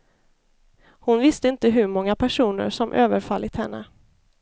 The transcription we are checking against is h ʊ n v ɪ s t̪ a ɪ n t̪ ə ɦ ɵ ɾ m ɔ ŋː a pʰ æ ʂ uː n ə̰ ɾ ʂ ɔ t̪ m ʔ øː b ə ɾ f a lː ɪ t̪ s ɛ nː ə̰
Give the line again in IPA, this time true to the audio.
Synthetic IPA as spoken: h ʊ n v ɪ s t̪ ə ɪ n t̪ ə ɦ ɵ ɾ m ɔ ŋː a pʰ æ ʂ uː n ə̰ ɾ ʂ ɔ m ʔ øː v ə ɾ f a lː ɪ t̪ h ɛ nː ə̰